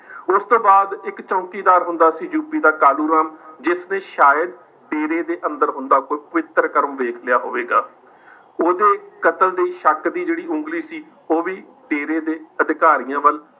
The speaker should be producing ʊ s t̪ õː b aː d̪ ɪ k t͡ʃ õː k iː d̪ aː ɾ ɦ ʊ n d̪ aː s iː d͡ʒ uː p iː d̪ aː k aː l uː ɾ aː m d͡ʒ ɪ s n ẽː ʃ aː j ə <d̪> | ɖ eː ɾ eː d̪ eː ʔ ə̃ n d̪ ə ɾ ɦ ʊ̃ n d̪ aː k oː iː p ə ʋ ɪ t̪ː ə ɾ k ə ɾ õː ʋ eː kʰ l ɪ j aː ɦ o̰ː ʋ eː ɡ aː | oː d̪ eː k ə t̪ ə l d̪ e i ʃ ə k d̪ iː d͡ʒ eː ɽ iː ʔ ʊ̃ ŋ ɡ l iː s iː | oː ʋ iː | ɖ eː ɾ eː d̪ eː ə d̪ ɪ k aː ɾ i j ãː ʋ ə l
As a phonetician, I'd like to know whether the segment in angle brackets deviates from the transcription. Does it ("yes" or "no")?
no